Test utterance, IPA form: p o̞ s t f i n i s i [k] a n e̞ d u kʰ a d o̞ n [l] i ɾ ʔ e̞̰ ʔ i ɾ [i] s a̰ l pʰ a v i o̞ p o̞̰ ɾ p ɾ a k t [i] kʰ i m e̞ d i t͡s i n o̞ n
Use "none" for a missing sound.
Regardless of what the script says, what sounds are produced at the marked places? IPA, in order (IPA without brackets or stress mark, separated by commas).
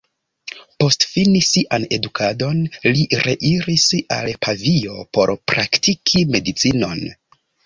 ʔ, l, i, i